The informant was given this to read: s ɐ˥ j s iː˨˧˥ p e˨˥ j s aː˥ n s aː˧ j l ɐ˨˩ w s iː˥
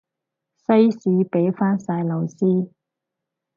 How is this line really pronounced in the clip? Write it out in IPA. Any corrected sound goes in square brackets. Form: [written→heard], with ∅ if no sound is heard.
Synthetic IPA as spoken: s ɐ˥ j s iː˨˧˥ p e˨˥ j [s→f] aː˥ n s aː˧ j l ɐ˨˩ w s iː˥